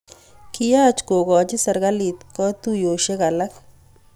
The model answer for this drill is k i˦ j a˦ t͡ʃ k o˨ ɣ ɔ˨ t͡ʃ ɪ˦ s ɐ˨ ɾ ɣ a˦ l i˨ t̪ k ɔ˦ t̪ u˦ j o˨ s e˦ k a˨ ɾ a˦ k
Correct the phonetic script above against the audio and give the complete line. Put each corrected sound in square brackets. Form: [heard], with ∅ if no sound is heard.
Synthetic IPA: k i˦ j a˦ t͡ʃ k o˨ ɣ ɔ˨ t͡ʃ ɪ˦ s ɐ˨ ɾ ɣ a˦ l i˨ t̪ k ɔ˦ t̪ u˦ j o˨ [ʃ] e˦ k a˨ [l] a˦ k